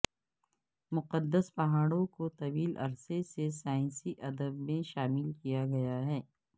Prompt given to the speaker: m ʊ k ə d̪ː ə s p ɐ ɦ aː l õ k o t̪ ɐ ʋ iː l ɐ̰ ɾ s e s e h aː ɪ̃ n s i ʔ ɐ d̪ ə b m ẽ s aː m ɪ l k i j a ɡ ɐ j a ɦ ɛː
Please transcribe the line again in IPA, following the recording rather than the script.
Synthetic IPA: m ʊ q ə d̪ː ə s p ɐ ɦ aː ɽ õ k o t̪ ɐ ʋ iː l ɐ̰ ɾ s e s e s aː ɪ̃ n s i ʔ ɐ d̪ ə b m ẽ ʃ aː m ɪ l k i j a ɡ ɐ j a ɦ ɛː

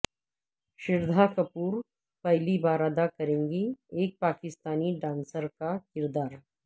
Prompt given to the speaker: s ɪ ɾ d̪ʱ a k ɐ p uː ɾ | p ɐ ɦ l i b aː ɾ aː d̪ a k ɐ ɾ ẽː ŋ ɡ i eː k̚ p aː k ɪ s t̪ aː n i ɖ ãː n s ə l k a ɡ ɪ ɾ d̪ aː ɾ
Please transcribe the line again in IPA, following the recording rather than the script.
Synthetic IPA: ʃ ɪ ɾ d̪ʱ a k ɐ p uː ɾ | p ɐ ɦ l i b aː ɾ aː d̪ a k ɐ ɾ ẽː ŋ ɡ i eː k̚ p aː k ɪ s t̪ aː n i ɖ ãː n s ə ɾ k a k ɪ ɾ d̪ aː ɾ

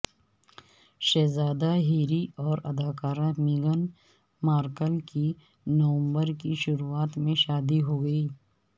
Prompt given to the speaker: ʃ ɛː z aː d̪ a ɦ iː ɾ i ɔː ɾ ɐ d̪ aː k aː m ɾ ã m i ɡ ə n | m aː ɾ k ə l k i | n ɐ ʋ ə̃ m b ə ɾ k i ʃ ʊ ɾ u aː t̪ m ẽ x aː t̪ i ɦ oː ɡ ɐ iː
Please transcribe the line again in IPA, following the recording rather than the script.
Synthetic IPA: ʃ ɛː z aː d̪ a ɦ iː ɾ i ɔː ɾ ɐ d̪ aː k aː ɾ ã m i ɡ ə n | m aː ɾ k ə l k i | n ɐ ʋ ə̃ m b ə ɾ k i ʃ ʊ ɾ u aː t̪ m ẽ ʃ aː d̪ i ɦ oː ɡ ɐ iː

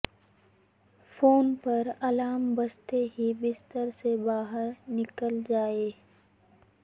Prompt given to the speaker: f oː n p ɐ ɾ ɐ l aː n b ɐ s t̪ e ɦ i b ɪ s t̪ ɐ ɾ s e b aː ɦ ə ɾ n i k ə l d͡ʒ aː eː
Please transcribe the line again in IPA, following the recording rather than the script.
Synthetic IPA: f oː n p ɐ ɾ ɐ l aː m b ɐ s t̪ e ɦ i b ɪ s t̪ ə ɾ s e b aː ɦ ə ɾ n ɪ k ə l d͡ʒ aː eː

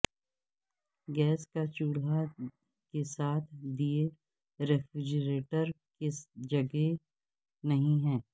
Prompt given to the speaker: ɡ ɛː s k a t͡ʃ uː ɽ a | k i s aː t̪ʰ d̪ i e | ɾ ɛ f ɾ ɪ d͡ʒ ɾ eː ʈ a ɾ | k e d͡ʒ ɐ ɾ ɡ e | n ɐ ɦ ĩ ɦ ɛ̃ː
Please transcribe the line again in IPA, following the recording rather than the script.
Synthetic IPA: ɡ ɛː s k a t͡ʃ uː ɽ a | k e s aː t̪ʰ d̪ i e | ɾ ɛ f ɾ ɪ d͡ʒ ɾ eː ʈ ə ɾ | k e d͡ʒ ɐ ɡ e | n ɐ ɦ ĩ ɦ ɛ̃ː

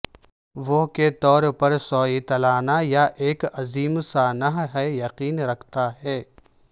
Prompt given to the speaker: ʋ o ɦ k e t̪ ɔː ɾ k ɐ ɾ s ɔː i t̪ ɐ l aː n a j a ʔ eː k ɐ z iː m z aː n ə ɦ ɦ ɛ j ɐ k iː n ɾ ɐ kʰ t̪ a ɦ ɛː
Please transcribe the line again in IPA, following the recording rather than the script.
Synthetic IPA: ʋ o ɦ k e t̪ ɔː ɾ p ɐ ɾ s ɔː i t̪ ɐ l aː n a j a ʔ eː k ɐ z iː m s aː n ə ɦ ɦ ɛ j ɐ q iː n ɾ ɐ kʰ t̪ a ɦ ɛː

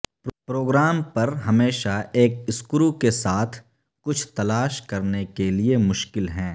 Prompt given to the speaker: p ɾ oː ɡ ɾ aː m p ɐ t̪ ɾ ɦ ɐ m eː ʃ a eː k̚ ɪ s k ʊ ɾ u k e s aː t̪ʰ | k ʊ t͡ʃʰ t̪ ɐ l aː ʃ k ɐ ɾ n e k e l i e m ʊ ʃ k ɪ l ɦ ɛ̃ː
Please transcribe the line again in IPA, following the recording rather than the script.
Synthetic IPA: p ɾ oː ɡ ɾ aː m p ɐ ɾ ɦ ɐ m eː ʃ a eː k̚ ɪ s k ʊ ɾ u k e s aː t̪ʰ | k ʊ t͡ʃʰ t̪ ɐ l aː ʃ k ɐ ɾ n e k e l i e m ʊ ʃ k ɪ l ɦ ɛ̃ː

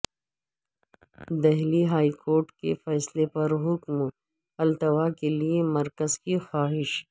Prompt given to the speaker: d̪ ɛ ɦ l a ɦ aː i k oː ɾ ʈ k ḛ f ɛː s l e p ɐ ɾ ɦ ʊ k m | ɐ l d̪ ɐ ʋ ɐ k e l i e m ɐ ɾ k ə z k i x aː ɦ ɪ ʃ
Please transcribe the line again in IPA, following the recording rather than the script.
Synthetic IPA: d̪ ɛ ɦ l i ɦ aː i k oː ɾ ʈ k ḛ f ɛː s l e p ɐ ɾ ɦ ʊ k m | ɐ l t̪ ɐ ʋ a k e l i e m ɐ ɾ k ə z k i x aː ɦ ɪ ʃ

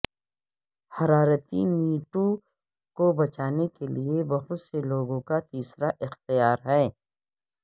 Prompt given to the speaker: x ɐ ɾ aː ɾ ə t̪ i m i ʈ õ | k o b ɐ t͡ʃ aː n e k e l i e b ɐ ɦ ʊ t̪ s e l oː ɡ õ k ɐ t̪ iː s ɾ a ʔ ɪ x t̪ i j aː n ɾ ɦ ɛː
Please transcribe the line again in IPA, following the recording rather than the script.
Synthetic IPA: h ɐ ɾ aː ɾ ə t̪ i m iː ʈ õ | k o b ɐ t͡ʃ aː n e k e l i e b ɐ ɦ ʊ t̪ s e l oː ɡ õ k a t̪ iː s ɾ a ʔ ɪ x t̪ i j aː ɾ ɦ ɛː

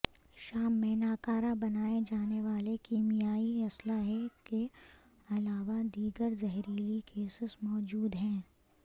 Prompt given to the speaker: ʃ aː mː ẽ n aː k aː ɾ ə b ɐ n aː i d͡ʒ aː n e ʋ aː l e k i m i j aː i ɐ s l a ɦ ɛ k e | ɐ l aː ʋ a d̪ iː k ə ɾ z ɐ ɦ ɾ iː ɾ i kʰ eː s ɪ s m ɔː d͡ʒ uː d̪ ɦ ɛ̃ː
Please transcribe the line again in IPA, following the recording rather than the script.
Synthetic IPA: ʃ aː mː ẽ n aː k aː ɾ a b ɐ n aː e d͡ʒ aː n e ʋ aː l e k i m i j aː i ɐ s l a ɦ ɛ k e | ɐ l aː ʋ a d̪ iː ɡ ə ɾ z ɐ ɦ ɾ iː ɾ i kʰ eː s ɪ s m ɔː d͡ʒ uː d̪ ɦ ɛ̃ː

